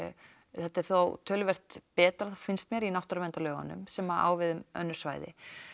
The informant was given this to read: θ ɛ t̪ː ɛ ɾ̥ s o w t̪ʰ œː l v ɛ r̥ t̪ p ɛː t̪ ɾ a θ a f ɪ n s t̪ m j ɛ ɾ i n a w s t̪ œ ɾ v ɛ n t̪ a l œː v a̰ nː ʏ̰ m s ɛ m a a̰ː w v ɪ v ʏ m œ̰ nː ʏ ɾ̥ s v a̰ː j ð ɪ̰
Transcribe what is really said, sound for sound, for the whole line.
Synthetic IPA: θ ɛ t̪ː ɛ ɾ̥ θ o w t̪ʰ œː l v ɛ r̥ t̪ p ɛː t̪ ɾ a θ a f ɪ n s t̪ m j ɛ ɾ i n a w h t̪ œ ɾ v ɛ n t̪ a l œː ɣ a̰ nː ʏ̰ m s ɛ m a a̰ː w v ɪ ð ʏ m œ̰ nː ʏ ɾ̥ s v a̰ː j ð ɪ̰